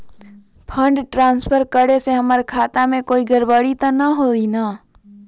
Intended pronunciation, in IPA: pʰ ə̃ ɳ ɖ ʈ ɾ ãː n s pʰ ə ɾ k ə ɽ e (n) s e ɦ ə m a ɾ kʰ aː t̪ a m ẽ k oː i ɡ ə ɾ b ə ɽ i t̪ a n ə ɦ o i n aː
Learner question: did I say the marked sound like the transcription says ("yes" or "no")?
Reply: no